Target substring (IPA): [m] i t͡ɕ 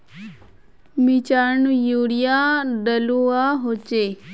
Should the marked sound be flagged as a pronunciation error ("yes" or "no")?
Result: no